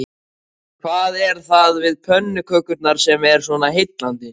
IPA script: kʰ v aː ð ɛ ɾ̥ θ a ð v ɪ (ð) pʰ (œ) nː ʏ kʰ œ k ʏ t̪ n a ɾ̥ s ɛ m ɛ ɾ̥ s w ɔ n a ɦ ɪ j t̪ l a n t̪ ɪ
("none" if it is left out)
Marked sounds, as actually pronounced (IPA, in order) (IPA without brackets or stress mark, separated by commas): ð, œ